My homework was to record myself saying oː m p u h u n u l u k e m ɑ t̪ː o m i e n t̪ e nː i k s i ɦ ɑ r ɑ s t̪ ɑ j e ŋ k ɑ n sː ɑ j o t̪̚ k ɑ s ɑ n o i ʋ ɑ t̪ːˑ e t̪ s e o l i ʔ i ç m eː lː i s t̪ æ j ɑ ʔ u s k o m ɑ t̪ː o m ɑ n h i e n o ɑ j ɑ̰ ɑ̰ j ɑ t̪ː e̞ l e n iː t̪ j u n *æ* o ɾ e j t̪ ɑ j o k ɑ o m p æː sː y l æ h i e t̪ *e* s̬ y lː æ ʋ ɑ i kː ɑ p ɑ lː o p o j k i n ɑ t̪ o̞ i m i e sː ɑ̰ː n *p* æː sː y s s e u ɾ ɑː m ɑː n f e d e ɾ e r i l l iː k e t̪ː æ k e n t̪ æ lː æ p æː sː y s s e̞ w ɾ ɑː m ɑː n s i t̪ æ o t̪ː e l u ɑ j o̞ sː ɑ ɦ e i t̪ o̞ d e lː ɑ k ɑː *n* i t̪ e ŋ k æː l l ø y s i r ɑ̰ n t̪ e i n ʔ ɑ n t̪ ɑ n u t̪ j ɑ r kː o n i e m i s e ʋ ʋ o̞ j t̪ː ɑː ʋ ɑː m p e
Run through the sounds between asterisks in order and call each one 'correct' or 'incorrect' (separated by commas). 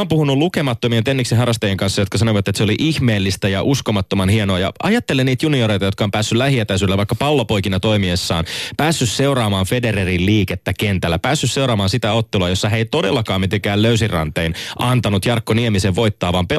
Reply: incorrect, incorrect, correct, incorrect